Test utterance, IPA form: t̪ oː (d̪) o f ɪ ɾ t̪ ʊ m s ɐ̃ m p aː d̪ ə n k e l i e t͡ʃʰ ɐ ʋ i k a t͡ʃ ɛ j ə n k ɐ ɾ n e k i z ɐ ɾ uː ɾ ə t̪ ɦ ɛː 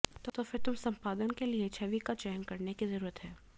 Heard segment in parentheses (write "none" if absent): t̪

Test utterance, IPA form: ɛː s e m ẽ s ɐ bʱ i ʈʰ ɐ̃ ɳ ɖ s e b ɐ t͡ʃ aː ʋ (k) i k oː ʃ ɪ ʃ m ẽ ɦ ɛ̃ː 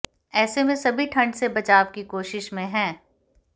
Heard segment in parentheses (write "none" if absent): k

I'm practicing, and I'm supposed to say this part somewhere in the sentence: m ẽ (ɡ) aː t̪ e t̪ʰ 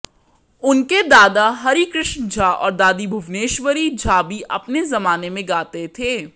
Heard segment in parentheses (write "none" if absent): ɡ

